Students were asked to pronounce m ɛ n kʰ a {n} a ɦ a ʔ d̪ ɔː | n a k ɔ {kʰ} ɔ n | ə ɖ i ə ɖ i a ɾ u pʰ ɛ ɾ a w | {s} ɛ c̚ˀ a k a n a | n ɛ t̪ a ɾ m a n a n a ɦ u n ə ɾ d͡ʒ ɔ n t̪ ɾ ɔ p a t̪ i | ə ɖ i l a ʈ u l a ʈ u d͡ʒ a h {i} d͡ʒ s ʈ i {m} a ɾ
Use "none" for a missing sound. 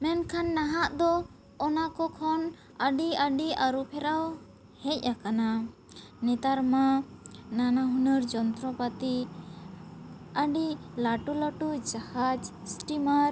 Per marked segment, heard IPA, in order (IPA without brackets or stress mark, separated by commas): nː, kʰ, h, a, m